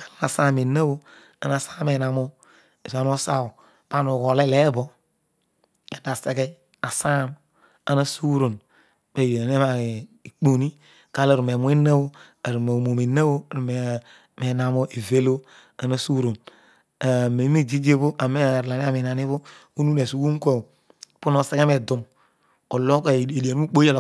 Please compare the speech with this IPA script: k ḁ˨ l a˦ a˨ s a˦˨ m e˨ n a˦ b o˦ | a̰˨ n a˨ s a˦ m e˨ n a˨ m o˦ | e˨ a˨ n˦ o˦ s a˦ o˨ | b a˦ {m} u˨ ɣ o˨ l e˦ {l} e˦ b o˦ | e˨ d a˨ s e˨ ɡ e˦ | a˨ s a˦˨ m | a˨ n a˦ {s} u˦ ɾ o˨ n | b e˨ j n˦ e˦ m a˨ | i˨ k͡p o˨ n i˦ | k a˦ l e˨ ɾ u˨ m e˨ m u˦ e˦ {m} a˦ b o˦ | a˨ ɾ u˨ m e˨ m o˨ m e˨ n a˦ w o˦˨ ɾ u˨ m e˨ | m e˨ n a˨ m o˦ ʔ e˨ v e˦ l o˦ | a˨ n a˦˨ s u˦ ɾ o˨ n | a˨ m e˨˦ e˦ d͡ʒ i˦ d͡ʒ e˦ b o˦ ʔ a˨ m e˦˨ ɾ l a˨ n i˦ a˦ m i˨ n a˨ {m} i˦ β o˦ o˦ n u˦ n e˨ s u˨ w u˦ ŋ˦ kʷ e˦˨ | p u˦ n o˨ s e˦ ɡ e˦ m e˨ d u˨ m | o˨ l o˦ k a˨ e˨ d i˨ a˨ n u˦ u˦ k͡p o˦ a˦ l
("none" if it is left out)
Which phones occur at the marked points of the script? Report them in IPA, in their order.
n, l, s, n, n

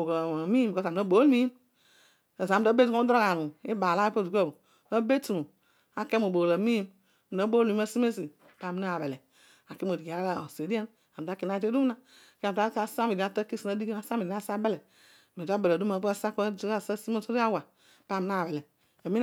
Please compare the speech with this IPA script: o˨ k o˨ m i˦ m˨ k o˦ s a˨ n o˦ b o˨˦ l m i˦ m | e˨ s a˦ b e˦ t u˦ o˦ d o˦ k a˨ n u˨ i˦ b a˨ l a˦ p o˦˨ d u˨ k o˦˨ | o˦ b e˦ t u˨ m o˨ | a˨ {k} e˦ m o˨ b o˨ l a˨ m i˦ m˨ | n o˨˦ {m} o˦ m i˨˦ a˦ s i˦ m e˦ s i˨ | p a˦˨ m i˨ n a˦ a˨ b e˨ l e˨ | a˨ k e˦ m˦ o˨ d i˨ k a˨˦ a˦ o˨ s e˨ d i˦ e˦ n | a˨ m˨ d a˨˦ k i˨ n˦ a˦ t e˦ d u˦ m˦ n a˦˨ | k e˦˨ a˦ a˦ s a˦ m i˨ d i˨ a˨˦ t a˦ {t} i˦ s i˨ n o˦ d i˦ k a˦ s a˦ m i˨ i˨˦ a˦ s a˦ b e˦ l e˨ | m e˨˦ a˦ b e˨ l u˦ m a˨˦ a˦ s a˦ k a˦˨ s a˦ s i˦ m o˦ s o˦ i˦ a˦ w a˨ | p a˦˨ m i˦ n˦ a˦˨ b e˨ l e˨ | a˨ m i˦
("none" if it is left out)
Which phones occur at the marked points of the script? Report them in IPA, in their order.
k, b, k

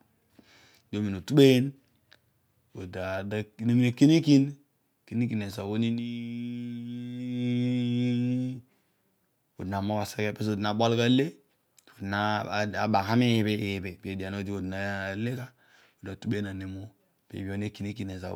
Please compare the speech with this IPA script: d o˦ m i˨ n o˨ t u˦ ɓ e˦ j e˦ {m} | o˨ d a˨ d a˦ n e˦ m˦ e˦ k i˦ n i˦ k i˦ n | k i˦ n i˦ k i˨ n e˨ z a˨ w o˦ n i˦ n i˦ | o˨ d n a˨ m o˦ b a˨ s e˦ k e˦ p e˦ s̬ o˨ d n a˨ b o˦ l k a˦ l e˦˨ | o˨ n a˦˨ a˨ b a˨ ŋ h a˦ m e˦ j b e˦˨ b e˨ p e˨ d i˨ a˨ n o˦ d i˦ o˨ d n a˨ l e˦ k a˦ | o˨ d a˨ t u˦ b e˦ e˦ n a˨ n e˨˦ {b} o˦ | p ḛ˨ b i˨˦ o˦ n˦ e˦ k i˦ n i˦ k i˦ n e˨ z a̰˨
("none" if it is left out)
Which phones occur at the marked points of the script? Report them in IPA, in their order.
n, m

